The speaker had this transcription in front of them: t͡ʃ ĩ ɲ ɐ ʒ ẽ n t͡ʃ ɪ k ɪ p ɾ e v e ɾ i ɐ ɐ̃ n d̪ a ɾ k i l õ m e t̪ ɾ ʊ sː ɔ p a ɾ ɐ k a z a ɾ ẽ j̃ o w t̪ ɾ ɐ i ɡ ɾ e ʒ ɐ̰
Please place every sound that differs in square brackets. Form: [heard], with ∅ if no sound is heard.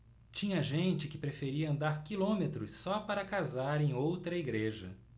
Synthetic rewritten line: t͡ʃ ĩ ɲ ɐ ʒ ẽ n t͡ʃ ɪ k ɪ p ɾ e [f] e ɾ i ɐ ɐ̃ n d̪ a ɾ k i l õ m e t̪ ɾ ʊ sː ɔ p a ɾ ɐ k a z a ɾ ẽ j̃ o w t̪ ɾ ɐ i ɡ ɾ e ʒ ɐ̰

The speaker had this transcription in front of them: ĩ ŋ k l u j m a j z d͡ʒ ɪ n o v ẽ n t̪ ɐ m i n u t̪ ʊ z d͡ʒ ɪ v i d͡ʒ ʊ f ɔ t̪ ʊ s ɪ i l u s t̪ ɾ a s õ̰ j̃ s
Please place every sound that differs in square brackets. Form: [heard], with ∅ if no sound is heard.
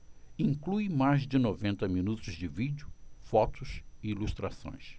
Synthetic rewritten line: ĩ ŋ k l u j m a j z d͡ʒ ɪ n o v ẽ n t̪ ɐ m i n u t̪ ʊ z d͡ʒ ɪ v i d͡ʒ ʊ f ɔ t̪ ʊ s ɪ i l u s t̪ ɾ a s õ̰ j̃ s

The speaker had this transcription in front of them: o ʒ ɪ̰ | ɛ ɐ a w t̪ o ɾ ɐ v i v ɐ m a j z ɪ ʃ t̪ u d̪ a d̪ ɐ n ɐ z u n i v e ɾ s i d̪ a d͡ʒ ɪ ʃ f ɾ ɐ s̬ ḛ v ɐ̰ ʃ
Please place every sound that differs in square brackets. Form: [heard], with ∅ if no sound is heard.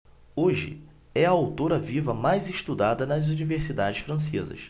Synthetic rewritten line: o ʒ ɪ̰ | ɛ ɐ a w t̪ o ɾ ɐ v i v ɐ m a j z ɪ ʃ t̪ u d̪ a d̪ ɐ n ɐ z u n i v e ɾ s i d̪ a d͡ʒ ɪ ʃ f ɾ [ɐ̃] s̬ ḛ [z] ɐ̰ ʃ

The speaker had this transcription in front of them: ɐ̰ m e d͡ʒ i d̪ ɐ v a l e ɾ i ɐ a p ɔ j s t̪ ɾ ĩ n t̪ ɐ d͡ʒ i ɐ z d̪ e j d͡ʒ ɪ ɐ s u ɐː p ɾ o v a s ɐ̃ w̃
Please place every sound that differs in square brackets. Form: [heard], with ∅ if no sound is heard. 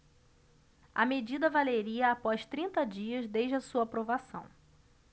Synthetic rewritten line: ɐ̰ m e d͡ʒ i d̪ ɐ v a l e ɾ i ɐ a p ɔ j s t̪ ɾ ĩ n t̪ ɐ d͡ʒ i ɐ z d̪ e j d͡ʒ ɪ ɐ s u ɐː p ɾ o v a s ɐ̃ w̃

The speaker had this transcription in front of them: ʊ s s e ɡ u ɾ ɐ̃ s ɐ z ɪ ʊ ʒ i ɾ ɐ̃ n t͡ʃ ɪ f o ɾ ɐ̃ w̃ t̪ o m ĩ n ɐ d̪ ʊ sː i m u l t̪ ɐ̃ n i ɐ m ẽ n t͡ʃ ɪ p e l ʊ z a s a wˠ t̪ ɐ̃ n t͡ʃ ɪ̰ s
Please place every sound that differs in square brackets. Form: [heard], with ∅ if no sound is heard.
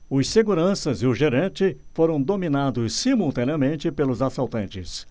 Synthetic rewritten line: ʊ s s e ɡ u ɾ ɐ̃ s ɐ z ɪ ʊ ʒ [e] ɾ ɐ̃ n t͡ʃ ɪ f o ɾ ɐ̃ w̃ [d̪] o m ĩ n [a] d̪ ʊ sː i m u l t̪ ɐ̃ n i ɐ m ẽ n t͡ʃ ɪ p e l ʊ z a s a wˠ t̪ ɐ̃ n t͡ʃ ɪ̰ s

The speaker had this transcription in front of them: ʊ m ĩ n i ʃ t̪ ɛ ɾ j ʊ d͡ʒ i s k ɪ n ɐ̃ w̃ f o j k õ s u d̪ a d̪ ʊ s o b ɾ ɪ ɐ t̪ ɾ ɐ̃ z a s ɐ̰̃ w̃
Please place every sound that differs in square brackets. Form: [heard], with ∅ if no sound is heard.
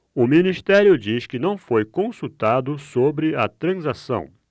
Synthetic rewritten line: ʊ m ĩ n i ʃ t̪ ɛ ɾ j ʊ d͡ʒ i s k ɪ n ɐ̃ w̃ f o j k õ s u [t̪] a d̪ ʊ s o b ɾ ɪ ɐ t̪ ɾ ɐ̃ z a s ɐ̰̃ w̃

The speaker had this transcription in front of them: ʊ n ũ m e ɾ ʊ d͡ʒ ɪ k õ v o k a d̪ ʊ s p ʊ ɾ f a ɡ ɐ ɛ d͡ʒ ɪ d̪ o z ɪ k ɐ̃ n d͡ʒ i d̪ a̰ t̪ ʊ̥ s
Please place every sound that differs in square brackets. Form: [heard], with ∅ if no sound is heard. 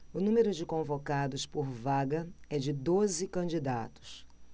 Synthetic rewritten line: ʊ n ũ m e ɾ ʊ d͡ʒ ɪ k õ v o k a d̪ ʊ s p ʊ ɾ [v] a ɡ ɐ ɛ d͡ʒ ɪ d̪ o z ɪ k ɐ̃ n d͡ʒ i d̪ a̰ t̪ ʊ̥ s

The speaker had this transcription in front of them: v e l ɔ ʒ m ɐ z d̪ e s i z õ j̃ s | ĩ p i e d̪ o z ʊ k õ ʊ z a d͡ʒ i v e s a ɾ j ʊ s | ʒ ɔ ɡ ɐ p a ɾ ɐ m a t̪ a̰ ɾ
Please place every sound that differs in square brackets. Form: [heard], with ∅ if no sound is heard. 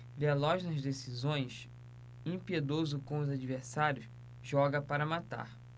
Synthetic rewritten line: v e l ɔ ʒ [n] ɐ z d̪ e s i z õ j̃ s | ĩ p i e d̪ o z ʊ k õ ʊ z a d͡ʒ i v e s a ɾ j ʊ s | ʒ ɔ ɡ ɐ p a ɾ ɐ m a t̪ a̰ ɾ

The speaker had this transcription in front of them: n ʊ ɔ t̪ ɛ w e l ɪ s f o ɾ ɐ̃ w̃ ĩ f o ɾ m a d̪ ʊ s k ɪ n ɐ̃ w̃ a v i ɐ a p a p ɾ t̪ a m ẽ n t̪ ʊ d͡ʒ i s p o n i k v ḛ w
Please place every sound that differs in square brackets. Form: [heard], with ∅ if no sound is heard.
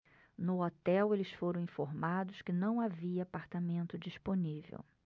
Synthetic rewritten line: n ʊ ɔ t̪ ɛ w e l ɪ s f o ɾ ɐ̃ w̃ ĩ f o ɾ m a d̪ ʊ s k ɪ n ɐ̃ w̃ a v i ɐ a p a [∅] ɾ t̪ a m ẽ n t̪ ʊ d͡ʒ i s p o n i [∅] v ḛ w

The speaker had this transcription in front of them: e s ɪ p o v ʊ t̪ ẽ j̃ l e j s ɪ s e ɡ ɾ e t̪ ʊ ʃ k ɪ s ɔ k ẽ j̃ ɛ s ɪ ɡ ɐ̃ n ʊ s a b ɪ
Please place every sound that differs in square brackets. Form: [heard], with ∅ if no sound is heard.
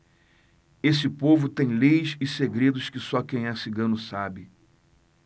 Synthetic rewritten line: e s ɪ p o v ʊ t̪ ẽ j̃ l e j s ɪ s e ɡ ɾ e [d̪] ʊ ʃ k ɪ s ɔ k ẽ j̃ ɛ s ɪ ɡ ɐ̃ n ʊ s a b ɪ

